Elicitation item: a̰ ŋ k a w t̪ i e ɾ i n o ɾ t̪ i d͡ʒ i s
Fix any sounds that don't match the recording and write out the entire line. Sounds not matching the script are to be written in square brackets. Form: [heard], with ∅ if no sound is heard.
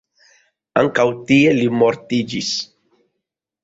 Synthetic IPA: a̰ ŋ k a w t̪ i e [l] i [m] o ɾ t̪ i d͡ʒ i s